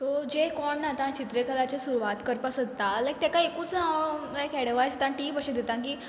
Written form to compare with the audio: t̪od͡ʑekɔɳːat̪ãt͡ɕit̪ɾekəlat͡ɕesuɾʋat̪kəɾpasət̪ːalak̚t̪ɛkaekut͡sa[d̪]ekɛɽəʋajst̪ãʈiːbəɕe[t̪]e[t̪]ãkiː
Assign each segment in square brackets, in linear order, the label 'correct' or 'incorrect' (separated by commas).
incorrect, incorrect, correct